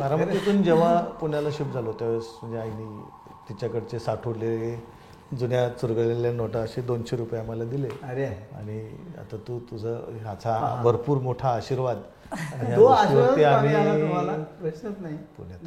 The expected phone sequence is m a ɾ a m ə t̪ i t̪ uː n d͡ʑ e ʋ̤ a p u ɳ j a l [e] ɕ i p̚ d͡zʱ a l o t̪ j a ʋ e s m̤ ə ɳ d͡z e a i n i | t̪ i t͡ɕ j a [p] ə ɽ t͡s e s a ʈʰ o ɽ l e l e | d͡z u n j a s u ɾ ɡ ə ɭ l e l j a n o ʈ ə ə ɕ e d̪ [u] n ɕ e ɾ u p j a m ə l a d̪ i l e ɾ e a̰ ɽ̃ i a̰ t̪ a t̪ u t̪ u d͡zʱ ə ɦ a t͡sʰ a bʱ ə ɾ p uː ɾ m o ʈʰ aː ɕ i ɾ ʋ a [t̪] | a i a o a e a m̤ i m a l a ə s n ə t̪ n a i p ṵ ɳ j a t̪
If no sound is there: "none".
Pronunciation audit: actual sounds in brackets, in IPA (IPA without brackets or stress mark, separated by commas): a, k, o, d̪